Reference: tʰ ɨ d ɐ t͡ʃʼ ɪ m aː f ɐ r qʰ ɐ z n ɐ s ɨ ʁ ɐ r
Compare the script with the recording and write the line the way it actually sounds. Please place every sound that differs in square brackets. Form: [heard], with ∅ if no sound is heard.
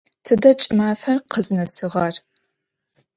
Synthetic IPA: tʰ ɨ d ɐ t͡ʃʼ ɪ m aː f ɐ r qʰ [ə] z n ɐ s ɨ ʁ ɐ r